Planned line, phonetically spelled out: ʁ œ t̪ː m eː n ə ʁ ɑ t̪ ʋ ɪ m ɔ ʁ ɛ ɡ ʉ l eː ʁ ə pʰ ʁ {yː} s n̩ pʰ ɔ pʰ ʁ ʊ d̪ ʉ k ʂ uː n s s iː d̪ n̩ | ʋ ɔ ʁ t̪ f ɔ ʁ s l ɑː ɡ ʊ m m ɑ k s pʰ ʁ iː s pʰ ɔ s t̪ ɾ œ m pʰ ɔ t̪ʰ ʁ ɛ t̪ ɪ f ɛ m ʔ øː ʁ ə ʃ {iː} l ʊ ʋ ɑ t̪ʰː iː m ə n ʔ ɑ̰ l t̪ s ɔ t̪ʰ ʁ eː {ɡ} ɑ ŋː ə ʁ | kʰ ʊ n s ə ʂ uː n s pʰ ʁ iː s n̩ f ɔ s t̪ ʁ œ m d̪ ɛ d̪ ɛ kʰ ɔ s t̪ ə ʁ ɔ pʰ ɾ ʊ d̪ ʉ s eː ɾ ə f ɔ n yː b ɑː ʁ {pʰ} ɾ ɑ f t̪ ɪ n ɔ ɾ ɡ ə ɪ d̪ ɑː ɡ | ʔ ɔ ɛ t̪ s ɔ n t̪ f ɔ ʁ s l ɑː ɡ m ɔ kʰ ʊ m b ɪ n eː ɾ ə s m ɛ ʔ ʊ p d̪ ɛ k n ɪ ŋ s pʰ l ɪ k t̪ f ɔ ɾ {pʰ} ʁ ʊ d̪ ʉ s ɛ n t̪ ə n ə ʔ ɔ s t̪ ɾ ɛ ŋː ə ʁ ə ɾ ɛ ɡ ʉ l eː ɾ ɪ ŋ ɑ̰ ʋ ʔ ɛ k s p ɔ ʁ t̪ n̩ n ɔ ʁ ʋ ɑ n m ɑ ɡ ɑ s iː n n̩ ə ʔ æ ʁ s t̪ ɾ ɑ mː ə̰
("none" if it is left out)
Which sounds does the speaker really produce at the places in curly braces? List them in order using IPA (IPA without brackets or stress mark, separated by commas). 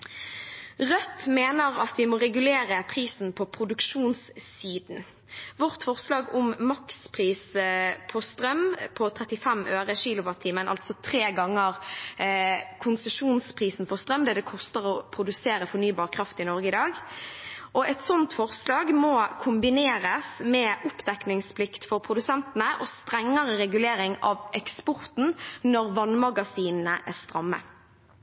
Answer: iː, iː, ɡ, kʰ, pʰ